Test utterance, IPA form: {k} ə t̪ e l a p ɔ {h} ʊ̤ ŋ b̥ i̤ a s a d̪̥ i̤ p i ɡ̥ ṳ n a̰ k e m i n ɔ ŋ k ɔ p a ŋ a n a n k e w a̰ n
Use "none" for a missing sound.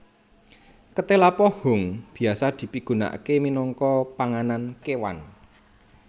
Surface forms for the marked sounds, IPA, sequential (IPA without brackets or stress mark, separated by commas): k, h